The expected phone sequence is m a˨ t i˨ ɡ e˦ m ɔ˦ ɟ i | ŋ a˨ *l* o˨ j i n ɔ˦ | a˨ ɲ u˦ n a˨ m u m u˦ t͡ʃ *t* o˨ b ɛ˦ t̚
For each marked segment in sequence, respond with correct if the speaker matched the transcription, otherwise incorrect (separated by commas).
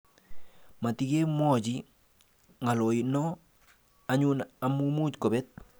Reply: correct, incorrect